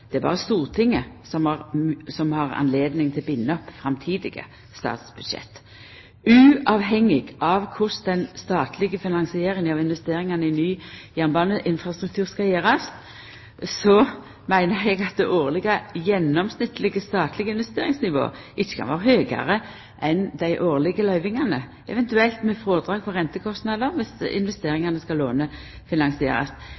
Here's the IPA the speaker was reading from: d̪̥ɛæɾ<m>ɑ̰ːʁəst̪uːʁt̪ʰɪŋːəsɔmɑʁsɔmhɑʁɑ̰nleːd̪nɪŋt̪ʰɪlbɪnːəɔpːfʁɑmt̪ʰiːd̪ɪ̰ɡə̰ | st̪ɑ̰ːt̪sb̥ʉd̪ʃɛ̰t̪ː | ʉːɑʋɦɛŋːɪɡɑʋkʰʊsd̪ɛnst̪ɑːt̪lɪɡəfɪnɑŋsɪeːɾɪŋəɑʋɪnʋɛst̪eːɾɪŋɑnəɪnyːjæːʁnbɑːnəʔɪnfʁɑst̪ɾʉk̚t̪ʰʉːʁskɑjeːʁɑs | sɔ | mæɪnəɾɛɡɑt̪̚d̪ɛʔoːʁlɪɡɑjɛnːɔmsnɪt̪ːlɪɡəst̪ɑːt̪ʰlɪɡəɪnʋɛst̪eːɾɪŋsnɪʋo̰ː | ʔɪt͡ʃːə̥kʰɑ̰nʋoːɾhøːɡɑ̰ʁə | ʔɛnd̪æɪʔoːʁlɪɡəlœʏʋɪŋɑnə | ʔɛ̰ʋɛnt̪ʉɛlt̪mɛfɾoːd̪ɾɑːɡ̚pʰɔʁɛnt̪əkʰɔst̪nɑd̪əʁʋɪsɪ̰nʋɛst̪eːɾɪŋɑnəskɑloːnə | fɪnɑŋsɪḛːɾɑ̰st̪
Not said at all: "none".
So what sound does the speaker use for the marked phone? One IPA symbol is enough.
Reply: b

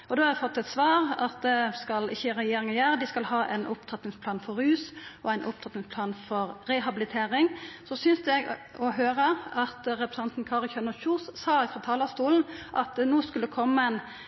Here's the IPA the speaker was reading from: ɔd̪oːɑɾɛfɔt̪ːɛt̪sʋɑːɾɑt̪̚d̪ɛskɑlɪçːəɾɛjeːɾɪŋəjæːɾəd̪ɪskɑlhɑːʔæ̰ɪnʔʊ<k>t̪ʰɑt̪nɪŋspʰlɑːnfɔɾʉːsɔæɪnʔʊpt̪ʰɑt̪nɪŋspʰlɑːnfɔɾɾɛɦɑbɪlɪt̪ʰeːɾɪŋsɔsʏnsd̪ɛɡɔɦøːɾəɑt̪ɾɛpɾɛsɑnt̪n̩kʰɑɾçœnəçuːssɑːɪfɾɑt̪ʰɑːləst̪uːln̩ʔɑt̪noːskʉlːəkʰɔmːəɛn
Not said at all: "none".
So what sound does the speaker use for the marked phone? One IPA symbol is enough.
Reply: p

